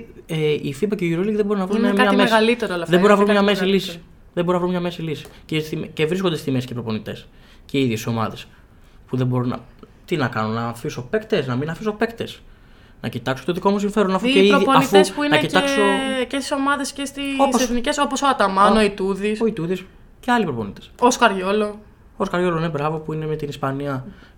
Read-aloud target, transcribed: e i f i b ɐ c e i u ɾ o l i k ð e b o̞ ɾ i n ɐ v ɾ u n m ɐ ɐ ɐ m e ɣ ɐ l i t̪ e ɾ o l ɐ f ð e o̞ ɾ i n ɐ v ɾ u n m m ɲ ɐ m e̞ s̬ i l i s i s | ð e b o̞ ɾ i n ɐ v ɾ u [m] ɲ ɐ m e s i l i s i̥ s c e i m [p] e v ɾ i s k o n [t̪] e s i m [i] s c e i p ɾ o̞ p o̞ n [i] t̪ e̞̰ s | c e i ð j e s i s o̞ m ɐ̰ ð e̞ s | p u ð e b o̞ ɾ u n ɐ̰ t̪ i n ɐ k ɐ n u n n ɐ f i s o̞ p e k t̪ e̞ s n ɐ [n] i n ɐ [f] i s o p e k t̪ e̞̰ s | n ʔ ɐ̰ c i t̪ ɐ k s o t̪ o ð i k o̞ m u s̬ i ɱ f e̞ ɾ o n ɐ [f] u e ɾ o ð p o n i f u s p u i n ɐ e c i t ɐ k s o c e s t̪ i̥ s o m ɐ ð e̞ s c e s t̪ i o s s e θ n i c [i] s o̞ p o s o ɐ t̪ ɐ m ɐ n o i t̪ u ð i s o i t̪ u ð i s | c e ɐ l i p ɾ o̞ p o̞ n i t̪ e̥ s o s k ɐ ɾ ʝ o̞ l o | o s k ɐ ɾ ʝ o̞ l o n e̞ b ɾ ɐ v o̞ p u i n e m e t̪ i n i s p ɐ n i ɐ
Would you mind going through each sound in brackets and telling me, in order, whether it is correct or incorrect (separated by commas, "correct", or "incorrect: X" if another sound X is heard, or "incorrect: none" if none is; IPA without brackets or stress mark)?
correct, incorrect: c, incorrect: d̪, incorrect: e, correct, incorrect: m, correct, correct, incorrect: e